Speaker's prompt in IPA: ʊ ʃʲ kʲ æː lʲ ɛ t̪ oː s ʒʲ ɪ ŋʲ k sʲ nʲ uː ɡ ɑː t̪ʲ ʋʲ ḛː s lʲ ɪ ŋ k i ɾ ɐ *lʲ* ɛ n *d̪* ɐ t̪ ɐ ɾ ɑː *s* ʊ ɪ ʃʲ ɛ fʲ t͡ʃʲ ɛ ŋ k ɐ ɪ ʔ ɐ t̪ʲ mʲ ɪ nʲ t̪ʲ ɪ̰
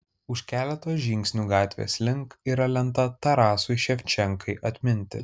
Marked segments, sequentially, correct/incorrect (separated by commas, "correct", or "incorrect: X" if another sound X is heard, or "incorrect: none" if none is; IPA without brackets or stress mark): correct, incorrect: t̪, correct